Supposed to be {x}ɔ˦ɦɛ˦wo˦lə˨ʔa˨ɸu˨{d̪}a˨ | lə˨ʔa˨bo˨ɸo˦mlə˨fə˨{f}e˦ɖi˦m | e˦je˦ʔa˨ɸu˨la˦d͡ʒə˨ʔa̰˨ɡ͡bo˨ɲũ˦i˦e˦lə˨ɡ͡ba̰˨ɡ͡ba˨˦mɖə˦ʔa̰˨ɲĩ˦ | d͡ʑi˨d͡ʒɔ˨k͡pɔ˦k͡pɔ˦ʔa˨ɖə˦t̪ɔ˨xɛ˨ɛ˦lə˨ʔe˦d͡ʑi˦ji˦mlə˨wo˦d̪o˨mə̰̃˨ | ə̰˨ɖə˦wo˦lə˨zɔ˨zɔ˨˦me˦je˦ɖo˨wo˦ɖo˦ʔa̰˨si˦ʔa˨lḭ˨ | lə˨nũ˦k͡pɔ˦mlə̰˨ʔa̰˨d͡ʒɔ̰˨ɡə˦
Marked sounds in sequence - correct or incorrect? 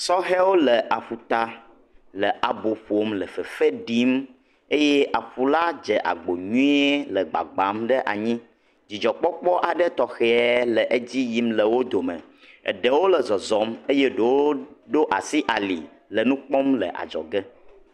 incorrect, incorrect, correct

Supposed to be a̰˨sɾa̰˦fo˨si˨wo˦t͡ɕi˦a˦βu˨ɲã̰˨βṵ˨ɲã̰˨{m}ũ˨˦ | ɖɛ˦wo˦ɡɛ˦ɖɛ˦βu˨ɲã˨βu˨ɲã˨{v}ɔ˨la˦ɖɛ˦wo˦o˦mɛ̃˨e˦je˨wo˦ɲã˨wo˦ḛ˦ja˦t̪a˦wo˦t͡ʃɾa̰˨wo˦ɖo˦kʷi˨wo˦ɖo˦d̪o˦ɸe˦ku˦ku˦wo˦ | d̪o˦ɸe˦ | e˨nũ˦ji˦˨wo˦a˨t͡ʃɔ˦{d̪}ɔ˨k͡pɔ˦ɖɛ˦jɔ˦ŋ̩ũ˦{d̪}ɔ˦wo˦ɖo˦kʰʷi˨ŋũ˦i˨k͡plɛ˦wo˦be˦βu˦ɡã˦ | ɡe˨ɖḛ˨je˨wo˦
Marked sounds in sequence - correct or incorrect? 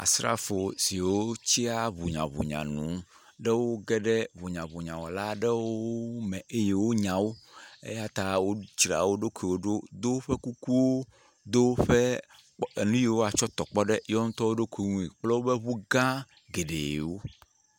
incorrect, incorrect, incorrect, incorrect

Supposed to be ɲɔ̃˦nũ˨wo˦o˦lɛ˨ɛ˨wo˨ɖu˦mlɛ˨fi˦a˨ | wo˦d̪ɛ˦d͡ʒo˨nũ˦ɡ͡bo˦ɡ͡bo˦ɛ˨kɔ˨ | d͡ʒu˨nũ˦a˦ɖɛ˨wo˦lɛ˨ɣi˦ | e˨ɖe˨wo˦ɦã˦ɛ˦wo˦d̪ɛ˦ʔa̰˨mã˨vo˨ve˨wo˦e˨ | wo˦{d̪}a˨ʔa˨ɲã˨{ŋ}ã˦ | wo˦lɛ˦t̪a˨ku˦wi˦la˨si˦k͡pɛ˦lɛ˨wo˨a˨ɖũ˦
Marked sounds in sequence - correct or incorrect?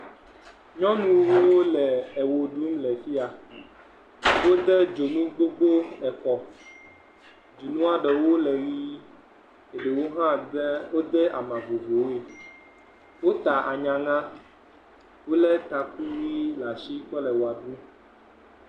incorrect, correct

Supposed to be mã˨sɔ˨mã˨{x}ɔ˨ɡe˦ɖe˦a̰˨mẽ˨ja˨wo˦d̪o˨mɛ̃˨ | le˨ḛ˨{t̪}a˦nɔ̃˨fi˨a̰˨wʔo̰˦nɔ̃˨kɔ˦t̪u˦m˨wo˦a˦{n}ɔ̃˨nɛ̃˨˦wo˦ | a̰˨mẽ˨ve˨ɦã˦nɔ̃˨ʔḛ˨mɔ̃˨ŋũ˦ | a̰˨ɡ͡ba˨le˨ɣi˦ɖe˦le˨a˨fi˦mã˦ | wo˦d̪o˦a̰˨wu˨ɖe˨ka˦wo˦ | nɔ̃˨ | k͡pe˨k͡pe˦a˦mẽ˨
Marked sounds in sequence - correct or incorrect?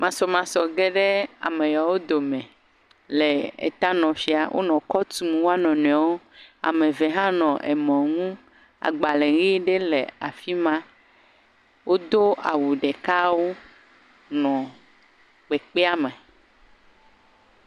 incorrect, correct, correct

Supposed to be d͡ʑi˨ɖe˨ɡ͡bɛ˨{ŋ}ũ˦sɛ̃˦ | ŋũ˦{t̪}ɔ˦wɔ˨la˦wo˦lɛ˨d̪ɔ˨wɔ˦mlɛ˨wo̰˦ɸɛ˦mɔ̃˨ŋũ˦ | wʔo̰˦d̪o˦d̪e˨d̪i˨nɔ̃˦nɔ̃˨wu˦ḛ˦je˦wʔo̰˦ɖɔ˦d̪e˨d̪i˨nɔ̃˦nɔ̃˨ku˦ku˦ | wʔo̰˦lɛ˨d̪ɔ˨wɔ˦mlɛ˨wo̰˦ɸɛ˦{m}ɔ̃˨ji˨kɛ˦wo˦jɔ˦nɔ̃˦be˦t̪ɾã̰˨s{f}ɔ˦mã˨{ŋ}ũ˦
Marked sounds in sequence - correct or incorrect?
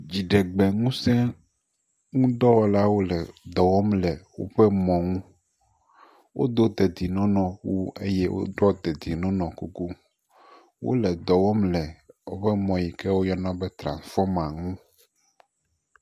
correct, incorrect, correct, correct, correct

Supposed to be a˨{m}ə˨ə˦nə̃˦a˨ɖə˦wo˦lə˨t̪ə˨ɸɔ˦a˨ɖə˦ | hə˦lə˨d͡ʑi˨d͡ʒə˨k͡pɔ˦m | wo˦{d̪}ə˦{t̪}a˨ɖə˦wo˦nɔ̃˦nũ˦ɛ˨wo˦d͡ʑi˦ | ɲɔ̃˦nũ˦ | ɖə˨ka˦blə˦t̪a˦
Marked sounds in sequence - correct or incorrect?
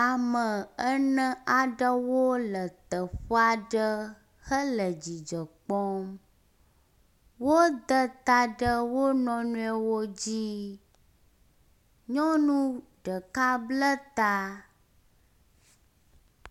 correct, correct, correct

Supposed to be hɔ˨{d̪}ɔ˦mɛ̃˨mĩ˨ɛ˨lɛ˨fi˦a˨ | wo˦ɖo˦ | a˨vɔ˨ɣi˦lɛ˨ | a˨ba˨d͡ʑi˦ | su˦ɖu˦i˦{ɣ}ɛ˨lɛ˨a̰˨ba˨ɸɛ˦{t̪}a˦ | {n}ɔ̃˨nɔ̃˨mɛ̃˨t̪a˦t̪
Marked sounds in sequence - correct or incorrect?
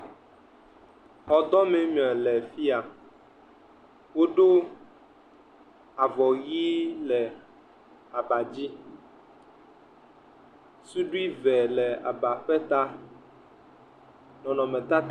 correct, incorrect, correct, correct

